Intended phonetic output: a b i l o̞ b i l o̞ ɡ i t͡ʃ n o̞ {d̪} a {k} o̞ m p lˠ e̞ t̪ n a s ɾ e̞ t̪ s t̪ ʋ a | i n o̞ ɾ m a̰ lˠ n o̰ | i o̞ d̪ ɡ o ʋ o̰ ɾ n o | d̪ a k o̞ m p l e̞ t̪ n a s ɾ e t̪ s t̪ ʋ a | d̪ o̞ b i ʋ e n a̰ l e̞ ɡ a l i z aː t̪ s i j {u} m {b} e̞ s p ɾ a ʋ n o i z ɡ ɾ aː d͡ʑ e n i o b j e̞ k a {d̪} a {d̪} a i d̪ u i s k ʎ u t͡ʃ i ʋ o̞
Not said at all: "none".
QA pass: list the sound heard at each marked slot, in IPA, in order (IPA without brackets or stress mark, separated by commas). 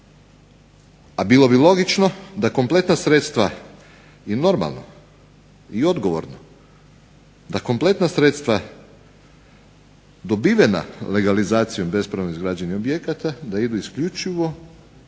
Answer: d̪, k, o, b, t̪, d̪